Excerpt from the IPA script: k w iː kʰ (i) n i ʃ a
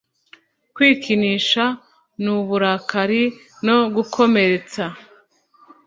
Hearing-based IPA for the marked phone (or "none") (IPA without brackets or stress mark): i